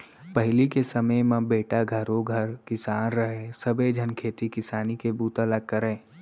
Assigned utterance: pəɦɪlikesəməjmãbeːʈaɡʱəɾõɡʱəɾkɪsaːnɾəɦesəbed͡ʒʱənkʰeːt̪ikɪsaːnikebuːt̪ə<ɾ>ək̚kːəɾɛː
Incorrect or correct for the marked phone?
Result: incorrect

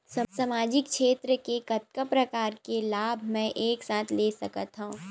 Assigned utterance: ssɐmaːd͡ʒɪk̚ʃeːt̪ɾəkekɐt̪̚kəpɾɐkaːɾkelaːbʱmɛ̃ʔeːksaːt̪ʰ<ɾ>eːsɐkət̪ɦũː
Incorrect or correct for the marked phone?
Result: incorrect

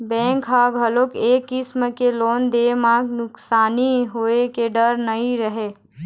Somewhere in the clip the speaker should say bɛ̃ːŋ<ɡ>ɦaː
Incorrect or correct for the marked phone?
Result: incorrect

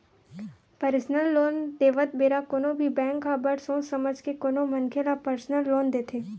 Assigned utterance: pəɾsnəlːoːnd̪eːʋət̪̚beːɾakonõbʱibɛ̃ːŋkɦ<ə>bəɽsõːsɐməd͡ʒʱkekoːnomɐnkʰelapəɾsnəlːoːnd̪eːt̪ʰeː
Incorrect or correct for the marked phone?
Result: incorrect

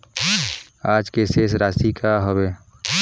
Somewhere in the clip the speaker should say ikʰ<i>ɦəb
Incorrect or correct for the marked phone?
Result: incorrect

